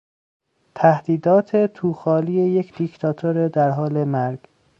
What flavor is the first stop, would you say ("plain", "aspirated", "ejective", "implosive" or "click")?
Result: aspirated